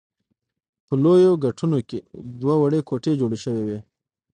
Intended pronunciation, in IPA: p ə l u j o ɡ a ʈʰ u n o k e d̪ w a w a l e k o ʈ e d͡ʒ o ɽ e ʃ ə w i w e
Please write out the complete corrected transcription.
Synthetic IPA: p ə l o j o ɡ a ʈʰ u n o k e d̪ w a w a ɽ e k o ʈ e d͡ʒ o ɽ e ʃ ə w e w e